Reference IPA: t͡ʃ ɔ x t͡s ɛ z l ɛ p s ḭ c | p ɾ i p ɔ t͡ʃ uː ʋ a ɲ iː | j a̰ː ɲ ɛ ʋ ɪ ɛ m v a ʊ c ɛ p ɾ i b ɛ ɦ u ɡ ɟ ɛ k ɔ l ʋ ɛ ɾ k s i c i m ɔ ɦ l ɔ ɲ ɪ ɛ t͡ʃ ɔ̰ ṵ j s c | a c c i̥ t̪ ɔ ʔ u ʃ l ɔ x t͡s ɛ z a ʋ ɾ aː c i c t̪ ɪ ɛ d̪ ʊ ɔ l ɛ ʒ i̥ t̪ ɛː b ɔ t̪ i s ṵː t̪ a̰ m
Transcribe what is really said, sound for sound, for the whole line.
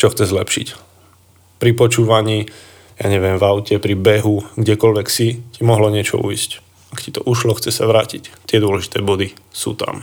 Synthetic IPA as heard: t͡ʃ ɔ x t͡s ɛ z l ɛ p ʃ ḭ c | p ɾ i p ɔ t͡ʃ uː ʋ a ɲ iː | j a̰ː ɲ ɛ ʋ ɪ ɛ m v a ʊ c ɛ p ɾ i b ɛ ɦ u ɡ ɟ ɛ k ɔ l ʋ ɛ k s i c i m ɔ ɦ l ɔ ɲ ɪ ɛ t͡ʃ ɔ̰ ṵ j s c | a k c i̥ t̪ ɔ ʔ u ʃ l ɔ x t͡s ɛ s a ʋ ɾ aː c i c t̪ ɪ ɛ d̪ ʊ ɔ l ɛ ʒ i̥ t̪ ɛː b ɔ d̪ i s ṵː t̪ a̰ m